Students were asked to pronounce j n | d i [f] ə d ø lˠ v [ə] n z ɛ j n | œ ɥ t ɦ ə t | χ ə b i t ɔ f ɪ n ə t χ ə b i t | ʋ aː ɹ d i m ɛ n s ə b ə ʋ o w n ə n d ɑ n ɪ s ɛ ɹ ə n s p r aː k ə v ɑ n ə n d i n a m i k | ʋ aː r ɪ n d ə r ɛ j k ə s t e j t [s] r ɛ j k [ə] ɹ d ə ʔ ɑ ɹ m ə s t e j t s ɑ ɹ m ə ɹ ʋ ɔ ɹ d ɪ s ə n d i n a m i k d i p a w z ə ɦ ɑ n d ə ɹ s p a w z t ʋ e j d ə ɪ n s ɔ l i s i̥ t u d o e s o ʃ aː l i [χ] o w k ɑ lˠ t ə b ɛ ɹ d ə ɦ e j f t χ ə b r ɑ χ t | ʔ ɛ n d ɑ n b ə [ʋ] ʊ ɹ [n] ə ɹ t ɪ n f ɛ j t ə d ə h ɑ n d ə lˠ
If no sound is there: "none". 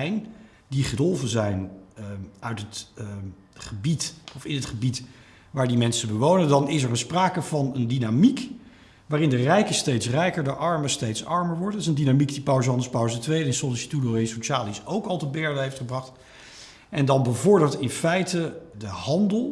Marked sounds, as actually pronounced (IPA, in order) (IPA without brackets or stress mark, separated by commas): χ, ə, s, ə, s, v, d